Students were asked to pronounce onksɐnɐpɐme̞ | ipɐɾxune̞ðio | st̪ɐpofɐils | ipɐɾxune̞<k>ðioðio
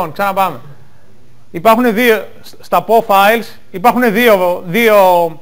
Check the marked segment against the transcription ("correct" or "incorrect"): incorrect